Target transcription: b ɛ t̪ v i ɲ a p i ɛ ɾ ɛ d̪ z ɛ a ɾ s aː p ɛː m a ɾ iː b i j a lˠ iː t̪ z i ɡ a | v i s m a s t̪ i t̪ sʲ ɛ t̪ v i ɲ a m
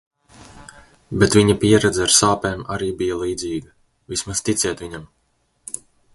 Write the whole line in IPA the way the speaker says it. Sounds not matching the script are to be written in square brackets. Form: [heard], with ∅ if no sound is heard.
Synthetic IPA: b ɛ t̪ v i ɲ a p i ɛ ɾ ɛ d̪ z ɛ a ɾ s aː p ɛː m a ɾ iː b i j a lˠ iː [d̪] z [iː] ɡ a | v i s m a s t̪ i t̪ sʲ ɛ t̪ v i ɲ a m